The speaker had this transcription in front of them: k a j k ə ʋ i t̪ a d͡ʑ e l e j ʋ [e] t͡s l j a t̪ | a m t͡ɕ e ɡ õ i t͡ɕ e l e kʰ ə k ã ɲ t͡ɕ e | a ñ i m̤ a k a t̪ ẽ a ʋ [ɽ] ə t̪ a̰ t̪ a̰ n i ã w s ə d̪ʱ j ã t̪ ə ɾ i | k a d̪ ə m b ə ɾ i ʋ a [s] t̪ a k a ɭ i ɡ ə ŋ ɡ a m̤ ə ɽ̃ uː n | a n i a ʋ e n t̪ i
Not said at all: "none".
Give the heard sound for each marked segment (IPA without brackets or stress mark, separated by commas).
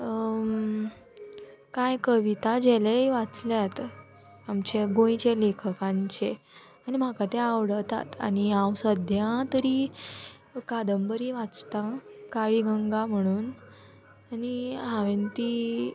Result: a, ɽ, t͡s